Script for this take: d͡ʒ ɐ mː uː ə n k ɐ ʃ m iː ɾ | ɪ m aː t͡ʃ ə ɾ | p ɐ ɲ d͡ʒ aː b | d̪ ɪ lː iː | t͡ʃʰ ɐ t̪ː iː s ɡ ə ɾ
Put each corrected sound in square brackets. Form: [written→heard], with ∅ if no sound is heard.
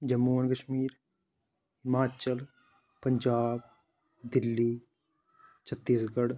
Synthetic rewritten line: d͡ʒ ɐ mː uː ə n k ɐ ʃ m iː ɾ | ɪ m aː t͡ʃ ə [ɾ→l] | p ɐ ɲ d͡ʒ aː b | d̪ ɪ lː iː | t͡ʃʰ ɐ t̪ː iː s ɡ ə [ɾ→ɽ]